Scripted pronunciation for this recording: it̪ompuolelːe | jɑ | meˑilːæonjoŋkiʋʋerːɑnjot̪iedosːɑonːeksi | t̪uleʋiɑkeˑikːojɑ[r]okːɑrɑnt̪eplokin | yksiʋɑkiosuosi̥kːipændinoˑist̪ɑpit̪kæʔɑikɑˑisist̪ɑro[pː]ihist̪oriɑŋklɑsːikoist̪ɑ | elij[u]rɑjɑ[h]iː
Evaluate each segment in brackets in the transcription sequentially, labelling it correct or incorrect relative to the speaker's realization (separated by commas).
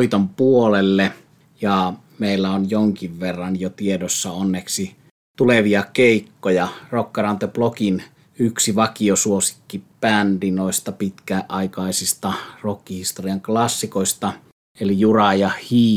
correct, incorrect, correct, correct